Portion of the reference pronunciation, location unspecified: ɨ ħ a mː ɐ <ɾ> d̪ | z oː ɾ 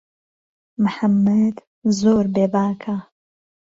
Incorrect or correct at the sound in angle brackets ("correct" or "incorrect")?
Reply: incorrect